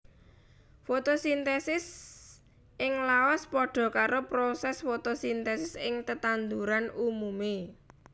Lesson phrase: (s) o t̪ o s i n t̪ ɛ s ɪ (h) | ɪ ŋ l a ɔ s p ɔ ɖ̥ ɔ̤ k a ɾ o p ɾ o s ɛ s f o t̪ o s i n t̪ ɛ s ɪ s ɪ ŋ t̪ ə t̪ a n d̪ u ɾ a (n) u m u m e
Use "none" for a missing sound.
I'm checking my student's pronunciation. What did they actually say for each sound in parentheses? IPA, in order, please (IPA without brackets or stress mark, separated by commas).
f, s, n